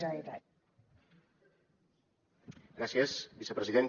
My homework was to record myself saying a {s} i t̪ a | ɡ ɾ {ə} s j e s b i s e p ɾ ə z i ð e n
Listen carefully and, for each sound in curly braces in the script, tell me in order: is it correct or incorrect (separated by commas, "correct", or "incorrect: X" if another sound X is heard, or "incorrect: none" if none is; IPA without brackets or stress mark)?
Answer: incorrect: none, incorrect: a